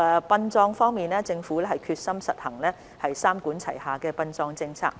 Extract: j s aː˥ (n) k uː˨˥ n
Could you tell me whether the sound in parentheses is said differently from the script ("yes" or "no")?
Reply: yes